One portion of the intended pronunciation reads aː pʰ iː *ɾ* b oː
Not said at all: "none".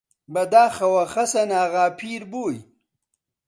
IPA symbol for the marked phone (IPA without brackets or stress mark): ɾ